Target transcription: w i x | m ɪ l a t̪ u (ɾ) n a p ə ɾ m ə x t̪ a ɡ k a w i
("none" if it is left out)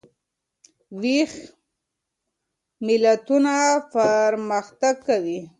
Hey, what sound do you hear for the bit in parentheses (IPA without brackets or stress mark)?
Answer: none